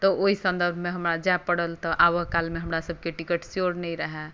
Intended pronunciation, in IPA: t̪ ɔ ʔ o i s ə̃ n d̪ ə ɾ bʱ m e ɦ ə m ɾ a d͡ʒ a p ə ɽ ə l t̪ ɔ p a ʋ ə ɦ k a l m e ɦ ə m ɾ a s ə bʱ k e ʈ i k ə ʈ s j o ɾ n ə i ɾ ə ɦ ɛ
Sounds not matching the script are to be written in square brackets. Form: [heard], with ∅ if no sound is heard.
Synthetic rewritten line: t̪ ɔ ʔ o i s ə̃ n d̪ ə ɾ bʱ m e ɦ ə m ɾ a d͡ʒ a p ə ɽ ə l t̪ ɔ [ʔ] a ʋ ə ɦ k a l m e ɦ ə m ɾ a s ə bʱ k e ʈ i k ə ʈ s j o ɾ n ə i ɾ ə ɦ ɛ